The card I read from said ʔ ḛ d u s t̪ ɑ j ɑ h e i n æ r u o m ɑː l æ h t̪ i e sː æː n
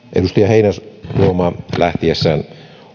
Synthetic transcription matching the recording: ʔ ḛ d u s t̪ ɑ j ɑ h e i n æ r u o m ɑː l æ h t̪ i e sː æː n